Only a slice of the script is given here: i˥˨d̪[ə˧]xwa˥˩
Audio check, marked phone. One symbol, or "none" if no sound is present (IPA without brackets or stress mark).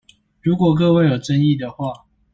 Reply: ə˩